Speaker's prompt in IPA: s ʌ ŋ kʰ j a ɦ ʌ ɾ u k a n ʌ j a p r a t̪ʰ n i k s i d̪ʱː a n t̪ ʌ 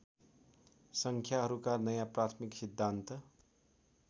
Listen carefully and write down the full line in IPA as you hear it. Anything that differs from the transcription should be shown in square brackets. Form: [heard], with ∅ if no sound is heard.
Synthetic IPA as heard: s ʌ ŋ kʰ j a ɦ ʌ ɾ u k a n ʌ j a p r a t̪ʰ [m] i k s i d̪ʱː a n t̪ ʌ